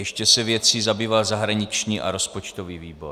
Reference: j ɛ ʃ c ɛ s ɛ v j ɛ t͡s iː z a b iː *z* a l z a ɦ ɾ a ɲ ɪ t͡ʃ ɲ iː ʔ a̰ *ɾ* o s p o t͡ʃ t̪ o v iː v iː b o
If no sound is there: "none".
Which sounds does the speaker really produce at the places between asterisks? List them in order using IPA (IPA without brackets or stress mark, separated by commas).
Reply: v, ɾ